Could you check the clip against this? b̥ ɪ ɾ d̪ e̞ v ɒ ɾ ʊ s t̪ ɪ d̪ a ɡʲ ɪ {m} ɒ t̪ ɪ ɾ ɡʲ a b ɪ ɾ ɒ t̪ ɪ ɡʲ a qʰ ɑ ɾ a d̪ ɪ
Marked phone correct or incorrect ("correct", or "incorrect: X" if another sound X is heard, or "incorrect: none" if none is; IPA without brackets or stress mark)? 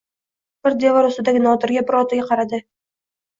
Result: incorrect: n